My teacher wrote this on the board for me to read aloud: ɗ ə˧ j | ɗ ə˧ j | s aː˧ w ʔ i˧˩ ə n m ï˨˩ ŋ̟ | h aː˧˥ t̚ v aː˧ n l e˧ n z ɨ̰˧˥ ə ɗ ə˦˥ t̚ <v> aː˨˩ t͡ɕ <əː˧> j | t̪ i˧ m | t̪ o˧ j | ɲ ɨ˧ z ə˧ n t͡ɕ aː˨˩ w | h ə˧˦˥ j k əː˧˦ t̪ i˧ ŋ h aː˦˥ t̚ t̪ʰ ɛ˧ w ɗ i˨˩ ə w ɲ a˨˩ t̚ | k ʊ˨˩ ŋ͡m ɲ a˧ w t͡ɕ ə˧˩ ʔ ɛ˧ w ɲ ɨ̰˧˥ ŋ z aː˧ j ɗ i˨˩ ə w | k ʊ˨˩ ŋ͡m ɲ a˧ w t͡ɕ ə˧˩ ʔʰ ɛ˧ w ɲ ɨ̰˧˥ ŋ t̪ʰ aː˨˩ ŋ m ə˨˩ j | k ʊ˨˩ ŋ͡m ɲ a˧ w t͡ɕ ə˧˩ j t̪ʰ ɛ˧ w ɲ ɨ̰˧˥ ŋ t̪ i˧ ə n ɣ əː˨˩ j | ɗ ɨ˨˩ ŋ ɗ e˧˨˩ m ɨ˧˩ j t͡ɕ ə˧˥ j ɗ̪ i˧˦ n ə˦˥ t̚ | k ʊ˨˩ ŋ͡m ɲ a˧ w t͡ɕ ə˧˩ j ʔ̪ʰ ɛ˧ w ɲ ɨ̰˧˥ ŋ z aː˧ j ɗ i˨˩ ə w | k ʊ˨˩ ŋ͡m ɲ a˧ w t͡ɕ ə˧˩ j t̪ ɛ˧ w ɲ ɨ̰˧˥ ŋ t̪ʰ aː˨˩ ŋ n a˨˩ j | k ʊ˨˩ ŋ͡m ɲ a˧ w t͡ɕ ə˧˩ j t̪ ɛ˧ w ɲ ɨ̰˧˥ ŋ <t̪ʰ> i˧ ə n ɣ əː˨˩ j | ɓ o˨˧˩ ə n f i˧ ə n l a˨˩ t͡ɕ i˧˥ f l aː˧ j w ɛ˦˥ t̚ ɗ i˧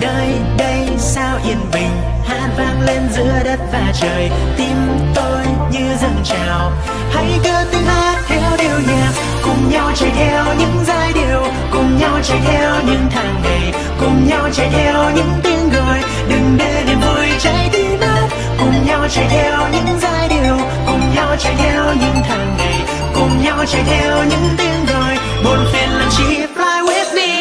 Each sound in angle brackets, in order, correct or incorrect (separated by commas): correct, incorrect, incorrect